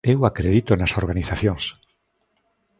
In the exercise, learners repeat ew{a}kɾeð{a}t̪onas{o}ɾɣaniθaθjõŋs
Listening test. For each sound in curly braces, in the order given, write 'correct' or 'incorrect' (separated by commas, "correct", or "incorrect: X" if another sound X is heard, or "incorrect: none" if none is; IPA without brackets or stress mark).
correct, incorrect: i, correct